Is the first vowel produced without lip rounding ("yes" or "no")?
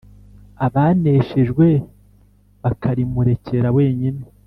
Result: yes